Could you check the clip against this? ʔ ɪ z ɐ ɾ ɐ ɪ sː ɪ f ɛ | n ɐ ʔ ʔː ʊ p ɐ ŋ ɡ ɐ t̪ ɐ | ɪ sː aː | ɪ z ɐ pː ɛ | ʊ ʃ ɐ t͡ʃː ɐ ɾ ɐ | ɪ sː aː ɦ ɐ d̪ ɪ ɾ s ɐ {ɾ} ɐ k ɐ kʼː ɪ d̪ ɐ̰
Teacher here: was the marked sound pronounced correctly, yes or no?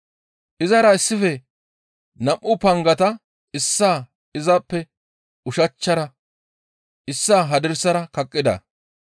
yes